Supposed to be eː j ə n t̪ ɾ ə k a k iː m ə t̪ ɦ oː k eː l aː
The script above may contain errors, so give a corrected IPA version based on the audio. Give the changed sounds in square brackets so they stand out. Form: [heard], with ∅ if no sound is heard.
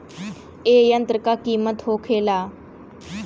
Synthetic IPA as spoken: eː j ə n t̪ ɾ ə k a k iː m ə t̪ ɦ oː [kʰ] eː l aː